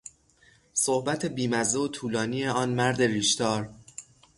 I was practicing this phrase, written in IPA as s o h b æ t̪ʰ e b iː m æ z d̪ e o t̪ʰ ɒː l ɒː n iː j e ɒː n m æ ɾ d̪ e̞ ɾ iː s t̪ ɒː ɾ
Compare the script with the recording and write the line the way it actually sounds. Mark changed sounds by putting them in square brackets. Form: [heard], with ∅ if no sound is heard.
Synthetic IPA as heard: s o h b æ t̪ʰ e b iː m æ z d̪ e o t̪ʰ [uː] l ɒː n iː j e ɒː n m æ ɾ d̪ e̞ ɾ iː [ʃ] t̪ ɒː ɾ